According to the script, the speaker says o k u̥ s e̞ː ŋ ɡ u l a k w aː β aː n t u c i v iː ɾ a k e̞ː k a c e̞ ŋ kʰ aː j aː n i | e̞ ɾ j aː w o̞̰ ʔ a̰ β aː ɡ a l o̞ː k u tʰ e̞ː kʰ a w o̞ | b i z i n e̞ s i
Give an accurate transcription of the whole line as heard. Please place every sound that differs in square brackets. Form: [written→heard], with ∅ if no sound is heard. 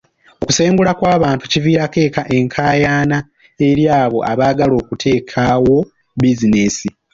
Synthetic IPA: o k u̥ s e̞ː ŋ ɡ u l a k w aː β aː n t u c i v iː ɾ a k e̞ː k a [c→ʔ] e̞ ŋ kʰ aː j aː n [i→a] | e̞ ɾ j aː [w→β] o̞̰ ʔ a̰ β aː ɡ a l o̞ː k u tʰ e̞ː kʰ a w o̞ | b i z i n e̞ s i